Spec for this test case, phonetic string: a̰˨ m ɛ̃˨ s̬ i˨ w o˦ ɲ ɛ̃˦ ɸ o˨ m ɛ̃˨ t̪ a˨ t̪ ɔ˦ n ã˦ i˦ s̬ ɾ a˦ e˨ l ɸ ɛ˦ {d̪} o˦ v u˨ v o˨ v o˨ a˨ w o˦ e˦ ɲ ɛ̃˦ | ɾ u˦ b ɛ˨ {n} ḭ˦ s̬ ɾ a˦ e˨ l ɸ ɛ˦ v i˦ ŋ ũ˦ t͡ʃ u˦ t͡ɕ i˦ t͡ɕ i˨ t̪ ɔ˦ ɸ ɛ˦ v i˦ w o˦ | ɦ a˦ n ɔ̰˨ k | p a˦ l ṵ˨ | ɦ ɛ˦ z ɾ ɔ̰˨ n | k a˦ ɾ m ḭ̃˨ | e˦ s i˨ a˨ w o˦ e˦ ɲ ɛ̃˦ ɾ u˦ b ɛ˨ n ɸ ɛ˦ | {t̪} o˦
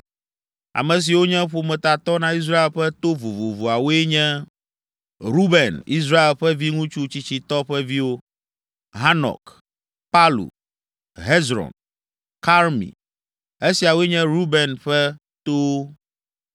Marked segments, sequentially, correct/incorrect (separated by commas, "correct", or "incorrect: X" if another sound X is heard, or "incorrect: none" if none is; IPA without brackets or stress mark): incorrect: t̪, correct, correct